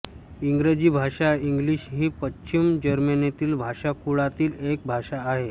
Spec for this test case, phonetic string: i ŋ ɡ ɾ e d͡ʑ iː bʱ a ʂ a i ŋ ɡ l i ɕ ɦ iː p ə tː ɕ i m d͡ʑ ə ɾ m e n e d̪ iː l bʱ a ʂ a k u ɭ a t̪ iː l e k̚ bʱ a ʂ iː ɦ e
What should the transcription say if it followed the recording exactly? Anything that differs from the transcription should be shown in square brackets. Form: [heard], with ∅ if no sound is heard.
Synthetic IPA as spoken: i ŋ ɡ ɾ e d͡ʑ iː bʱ a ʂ a i ŋ ɡ l i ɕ ɦ iː p ə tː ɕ i m d͡ʑ ə ɾ m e n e [t̪] iː l bʱ a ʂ a k u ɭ a t̪ iː l e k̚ bʱ a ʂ [aː] ɦ e